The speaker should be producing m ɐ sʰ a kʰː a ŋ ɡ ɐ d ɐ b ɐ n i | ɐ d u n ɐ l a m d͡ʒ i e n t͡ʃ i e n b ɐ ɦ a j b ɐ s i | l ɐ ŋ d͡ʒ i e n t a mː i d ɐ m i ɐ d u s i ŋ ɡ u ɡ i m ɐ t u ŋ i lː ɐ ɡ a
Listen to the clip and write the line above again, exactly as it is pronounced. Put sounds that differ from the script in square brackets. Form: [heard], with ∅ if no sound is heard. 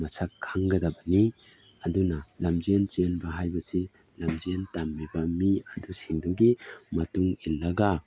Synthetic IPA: m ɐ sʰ a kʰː a ŋ ɡ ɐ d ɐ b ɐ n i | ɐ d u n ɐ l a m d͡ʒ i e n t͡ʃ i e n b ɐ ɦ a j b ɐ s i | l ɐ [m] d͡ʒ i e n t a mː i [b] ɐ m i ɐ d u s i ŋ [d] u ɡ i m ɐ t u ŋ i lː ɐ ɡ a